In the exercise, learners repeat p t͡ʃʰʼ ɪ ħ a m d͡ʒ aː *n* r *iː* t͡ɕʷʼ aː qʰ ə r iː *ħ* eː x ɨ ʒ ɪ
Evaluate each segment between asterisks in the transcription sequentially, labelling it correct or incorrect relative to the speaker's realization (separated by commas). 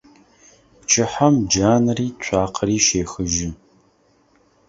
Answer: correct, correct, incorrect